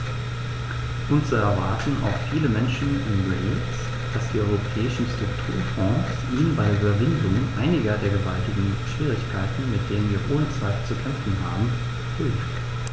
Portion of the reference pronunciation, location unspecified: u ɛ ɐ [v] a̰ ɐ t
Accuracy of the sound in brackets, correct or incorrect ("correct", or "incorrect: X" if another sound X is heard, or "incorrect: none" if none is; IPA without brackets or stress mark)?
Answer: correct